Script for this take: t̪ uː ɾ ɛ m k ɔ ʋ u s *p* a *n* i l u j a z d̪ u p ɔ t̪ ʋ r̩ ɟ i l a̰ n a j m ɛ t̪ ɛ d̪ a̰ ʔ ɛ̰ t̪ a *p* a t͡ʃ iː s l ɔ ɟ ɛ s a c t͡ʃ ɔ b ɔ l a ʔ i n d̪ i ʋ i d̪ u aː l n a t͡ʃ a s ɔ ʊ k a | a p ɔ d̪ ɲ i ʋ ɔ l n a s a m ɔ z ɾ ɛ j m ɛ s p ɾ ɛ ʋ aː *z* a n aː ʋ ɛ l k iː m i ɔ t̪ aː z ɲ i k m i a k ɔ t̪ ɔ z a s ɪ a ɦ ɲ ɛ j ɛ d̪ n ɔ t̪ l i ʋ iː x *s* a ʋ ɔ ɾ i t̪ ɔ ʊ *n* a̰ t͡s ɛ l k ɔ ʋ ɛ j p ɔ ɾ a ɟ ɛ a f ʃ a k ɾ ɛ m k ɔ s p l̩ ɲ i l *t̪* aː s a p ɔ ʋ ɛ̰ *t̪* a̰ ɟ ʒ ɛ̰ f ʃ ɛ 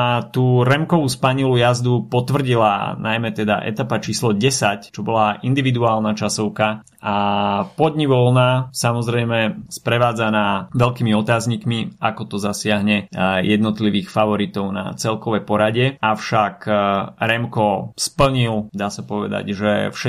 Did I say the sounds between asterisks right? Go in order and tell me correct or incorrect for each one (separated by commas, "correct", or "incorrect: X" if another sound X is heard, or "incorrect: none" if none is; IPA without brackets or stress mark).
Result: correct, incorrect: ɲ, correct, incorrect: d͡z, incorrect: f, correct, incorrect: d̪, incorrect: d̪